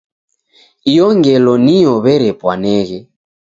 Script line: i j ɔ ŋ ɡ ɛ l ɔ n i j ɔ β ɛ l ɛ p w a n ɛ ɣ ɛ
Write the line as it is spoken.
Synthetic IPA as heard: i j ɔ ŋ ɡ ɛ l ɔ n i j ɔ β ɛ ɾ ɛ p w a n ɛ ɣ ɛ

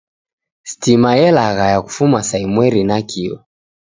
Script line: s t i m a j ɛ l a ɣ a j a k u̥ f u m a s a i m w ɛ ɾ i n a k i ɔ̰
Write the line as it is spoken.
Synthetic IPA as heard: s t i m a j ɛ l a ɣ a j a k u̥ f u m a s a i m w ɛ ɾ i n a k i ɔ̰

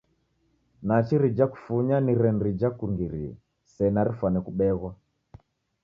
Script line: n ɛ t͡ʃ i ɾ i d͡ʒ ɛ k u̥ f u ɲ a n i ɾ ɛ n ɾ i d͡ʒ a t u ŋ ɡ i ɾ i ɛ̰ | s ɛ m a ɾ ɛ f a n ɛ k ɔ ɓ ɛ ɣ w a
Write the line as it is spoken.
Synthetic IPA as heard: n a t͡ʃ i ɾ i d͡ʒ a k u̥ f u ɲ a n i ɾ ɛ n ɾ i d͡ʒ a k u ŋ ɡ i ɾ i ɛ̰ | s ɛ n a ɾ i f a n ɛ k u ɓ ɛ ɣ w a

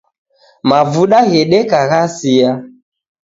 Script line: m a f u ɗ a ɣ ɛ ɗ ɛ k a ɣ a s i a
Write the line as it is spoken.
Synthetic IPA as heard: m a v u ɗ a ɣ ɛ ɗ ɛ k a ɣ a s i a

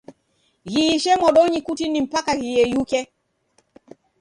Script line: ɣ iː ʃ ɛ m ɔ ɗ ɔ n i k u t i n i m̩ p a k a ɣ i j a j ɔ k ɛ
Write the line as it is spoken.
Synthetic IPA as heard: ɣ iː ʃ ɛ m ɔ ɗ ɔ ɲ i k u t i n i m̩ p a k a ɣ i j ɛ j u k ɛ

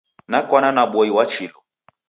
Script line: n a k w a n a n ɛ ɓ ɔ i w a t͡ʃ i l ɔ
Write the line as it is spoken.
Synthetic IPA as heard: n a k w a n a n a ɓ ɔ i w a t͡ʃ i l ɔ

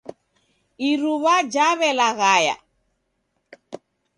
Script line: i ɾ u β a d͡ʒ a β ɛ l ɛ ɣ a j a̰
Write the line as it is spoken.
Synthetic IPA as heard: i ɾ u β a d͡ʒ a β ɛ l a ɣ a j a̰

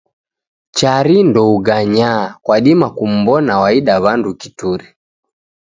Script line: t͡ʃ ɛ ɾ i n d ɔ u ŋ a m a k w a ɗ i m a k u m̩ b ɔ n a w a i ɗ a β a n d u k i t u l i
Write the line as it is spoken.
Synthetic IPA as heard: t͡ʃ a ɾ i n d ɔ u ɡ a ɲ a k w a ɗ i m a k u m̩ b ɔ n a w a i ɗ a β a n d u k i t u ɾ i

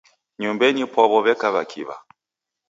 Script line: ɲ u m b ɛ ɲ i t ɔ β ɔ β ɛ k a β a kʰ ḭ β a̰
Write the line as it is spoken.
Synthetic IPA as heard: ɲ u m b ɛ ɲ i p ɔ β ɔ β ɛ k a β a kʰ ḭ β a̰

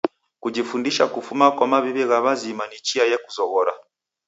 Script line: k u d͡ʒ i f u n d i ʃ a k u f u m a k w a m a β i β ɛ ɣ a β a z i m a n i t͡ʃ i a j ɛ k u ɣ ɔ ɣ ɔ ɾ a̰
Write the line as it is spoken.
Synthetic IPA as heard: k u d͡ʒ i f u n d i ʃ a k u f u m a k w a m a β i β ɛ ɣ a β a z i m a n i t͡ʃ i a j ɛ k u z ɔ ɣ ɔ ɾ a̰

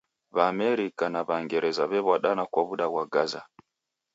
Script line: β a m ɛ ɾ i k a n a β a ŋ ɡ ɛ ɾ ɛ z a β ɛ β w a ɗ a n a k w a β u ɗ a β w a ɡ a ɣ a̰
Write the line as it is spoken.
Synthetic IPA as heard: β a m ɛ ɾ i k a n a β a ŋ ɡ ɛ ɾ ɛ z a β ɛ β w a ɗ a n a k w a β u ɗ a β w a ɡ a z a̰

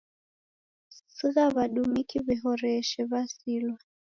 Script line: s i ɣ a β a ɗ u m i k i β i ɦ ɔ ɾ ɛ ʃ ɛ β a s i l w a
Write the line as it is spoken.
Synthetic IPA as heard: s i ɣ a β a ɗ u m i k i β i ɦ ɔ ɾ ɛ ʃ ɛ β a s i l w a

